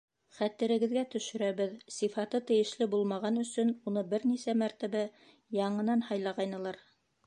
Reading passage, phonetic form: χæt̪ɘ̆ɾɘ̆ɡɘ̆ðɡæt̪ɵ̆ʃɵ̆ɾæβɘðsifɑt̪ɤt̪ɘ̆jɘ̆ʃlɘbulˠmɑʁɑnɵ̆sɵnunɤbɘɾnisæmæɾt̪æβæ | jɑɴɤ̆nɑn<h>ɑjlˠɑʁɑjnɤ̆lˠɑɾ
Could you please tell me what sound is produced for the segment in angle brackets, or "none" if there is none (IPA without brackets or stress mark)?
h